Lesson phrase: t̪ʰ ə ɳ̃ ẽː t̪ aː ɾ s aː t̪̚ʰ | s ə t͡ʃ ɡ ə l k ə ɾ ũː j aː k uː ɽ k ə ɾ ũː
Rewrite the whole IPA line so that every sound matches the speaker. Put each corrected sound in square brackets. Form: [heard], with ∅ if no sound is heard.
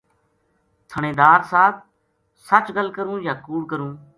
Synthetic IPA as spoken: t̪ʰ ə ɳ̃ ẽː [d̪] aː ɾ s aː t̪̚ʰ | s ə t͡ʃ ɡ ə l k ə ɾ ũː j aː k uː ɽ k ə ɾ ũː